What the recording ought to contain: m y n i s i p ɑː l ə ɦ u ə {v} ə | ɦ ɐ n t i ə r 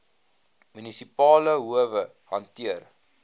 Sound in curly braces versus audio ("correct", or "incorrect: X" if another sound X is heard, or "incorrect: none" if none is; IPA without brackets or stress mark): correct